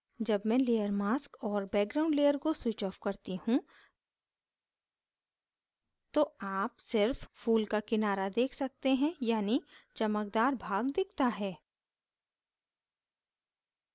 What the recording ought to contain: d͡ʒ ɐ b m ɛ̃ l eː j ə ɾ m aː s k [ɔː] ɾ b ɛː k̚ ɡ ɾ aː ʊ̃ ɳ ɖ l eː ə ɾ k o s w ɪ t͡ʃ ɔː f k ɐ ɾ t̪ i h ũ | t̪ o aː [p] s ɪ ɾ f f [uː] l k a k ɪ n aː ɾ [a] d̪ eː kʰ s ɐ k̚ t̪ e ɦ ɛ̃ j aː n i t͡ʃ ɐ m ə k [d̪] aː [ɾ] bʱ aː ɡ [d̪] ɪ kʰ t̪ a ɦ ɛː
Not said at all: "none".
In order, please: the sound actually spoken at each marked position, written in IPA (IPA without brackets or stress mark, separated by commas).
ɔː, p, uː, a, d̪, ɾ, d̪